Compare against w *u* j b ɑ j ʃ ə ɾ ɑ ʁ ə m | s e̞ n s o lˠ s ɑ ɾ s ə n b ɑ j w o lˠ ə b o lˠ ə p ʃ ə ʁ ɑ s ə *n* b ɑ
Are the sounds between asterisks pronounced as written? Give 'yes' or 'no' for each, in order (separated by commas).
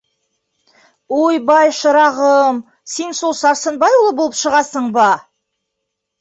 no, no